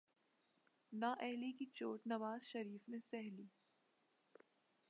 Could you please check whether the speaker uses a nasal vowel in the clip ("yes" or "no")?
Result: no